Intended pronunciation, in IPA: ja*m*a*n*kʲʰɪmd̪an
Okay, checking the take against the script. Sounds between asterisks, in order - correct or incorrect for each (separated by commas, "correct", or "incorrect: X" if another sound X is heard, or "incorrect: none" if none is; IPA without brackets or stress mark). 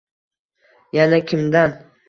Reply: incorrect: n, incorrect: none